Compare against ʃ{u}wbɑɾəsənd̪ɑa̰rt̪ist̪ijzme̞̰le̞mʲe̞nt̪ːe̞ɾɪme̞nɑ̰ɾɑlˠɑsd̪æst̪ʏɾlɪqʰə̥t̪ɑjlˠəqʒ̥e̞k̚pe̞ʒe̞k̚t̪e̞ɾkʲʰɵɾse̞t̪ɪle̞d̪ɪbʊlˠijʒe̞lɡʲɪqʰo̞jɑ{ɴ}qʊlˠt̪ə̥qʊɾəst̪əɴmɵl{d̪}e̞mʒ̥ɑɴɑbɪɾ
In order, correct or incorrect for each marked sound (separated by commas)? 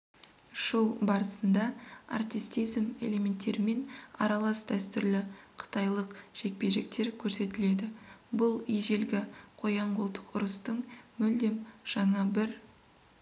incorrect, correct, correct